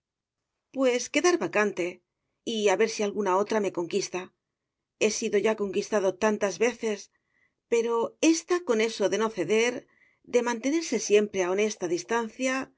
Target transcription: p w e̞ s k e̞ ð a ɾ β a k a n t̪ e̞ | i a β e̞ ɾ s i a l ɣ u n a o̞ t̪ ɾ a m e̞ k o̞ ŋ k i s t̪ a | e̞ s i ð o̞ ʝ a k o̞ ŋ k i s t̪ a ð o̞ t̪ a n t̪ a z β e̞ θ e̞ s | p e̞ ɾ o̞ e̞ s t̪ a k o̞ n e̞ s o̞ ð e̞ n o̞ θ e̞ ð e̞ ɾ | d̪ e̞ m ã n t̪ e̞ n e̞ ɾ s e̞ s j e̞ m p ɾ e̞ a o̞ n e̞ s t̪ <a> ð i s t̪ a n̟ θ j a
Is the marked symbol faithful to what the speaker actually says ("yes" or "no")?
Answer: yes